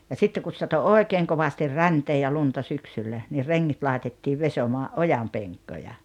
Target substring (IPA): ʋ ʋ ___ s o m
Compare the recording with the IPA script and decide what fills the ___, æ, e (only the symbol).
e